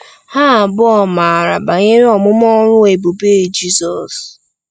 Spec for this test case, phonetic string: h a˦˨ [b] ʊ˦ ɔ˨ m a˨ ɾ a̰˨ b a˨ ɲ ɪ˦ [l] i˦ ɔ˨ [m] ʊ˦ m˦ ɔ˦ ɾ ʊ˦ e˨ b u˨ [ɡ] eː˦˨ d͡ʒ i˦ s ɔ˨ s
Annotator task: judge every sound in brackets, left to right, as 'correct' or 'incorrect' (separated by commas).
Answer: correct, incorrect, correct, incorrect